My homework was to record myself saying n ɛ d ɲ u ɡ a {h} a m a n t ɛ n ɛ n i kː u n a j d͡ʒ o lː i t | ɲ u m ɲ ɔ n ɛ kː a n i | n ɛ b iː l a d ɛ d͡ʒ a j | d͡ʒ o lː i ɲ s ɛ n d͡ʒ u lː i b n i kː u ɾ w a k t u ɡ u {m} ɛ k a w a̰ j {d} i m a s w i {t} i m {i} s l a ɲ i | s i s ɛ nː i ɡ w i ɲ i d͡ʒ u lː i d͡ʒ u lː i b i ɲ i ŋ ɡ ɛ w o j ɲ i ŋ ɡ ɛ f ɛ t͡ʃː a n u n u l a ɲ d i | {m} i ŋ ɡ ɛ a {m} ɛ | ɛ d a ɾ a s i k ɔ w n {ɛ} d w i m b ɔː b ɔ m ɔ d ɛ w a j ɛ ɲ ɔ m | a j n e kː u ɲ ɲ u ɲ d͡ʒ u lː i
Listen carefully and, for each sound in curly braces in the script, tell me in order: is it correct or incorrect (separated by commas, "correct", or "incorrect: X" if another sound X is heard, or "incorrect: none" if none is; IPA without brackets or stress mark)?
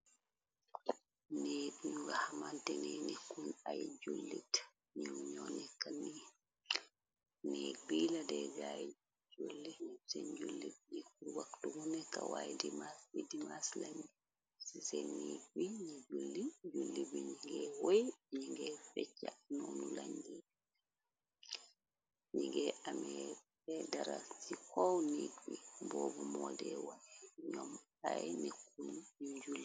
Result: correct, incorrect: n, correct, incorrect: d, incorrect: a, incorrect: ɲ, correct, incorrect: i